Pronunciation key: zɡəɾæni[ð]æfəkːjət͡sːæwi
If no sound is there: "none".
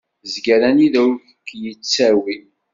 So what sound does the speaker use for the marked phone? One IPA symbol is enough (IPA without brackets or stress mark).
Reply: ð